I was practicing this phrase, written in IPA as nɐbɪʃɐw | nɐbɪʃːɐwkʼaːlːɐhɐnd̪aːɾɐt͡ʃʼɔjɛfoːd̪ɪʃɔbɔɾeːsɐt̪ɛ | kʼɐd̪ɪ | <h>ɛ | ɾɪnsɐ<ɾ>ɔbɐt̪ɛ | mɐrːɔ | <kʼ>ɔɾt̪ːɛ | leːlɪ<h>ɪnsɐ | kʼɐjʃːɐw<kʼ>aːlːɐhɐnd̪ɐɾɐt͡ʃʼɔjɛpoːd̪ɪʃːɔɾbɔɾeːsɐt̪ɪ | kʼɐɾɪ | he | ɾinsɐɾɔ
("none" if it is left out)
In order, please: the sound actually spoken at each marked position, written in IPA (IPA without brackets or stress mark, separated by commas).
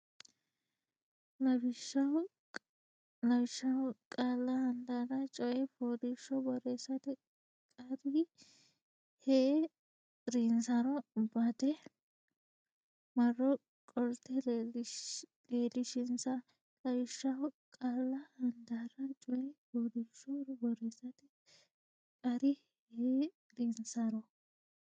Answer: h, ɾ, kʼ, ʃ, kʼ